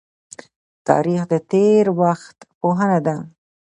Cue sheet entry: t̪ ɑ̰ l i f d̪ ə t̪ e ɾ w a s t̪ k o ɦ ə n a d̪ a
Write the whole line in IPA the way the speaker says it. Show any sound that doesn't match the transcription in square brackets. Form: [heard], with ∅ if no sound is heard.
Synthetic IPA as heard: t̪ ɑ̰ [ɾ] i [x] d̪ ə t̪ e ɾ w a [x] t̪ [p] o ɦ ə n a d̪ a